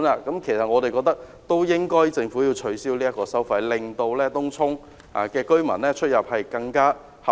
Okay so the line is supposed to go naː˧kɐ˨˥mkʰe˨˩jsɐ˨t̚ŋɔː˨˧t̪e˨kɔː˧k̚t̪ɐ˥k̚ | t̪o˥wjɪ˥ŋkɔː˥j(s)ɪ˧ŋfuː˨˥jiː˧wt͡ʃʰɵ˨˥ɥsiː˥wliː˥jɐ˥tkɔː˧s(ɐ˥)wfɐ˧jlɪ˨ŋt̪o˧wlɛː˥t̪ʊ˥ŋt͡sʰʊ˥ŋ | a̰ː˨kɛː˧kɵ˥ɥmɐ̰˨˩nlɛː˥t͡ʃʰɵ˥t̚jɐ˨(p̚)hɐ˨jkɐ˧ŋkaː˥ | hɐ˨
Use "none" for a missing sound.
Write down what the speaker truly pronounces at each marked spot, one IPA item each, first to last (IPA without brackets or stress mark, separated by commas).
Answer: t͡s, ɐ˥, p̚